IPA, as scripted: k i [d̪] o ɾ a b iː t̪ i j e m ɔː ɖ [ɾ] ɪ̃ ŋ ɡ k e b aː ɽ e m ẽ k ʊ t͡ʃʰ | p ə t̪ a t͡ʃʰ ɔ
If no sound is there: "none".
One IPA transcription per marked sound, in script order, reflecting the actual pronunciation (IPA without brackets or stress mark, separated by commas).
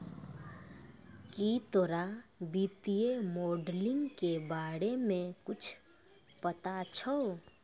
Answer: t̪, l